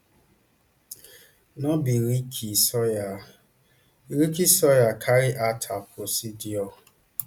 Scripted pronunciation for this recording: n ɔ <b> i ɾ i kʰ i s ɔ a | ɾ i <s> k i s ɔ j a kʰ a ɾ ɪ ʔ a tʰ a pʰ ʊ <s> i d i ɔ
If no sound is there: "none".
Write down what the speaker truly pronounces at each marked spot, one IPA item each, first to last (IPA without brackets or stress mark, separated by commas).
b, none, s